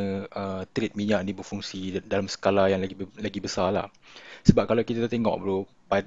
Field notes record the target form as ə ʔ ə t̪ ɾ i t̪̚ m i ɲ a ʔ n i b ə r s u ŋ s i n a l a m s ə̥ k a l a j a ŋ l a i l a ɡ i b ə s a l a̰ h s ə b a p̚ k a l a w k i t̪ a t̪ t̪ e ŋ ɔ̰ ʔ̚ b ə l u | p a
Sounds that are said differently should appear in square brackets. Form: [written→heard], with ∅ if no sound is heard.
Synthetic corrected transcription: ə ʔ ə t̪ ɾ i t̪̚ m i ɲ a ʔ n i b ə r [s→f] u ŋ s i [n→d] a l a m s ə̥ k a l a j a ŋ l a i l a ɡ i b ə s a l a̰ h s ə b a p̚ k a l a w k i t̪ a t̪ t̪ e ŋ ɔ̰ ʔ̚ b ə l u | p a